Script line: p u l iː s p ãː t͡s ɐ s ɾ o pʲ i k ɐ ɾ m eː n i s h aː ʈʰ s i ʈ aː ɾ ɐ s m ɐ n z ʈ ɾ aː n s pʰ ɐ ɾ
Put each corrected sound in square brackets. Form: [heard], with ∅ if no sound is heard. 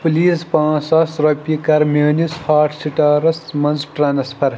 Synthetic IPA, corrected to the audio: p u l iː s p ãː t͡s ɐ s ɾ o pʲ i k ɐ ɾ m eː n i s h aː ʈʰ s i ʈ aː ɾ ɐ s m ɐ n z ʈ ɾ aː n s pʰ ɐ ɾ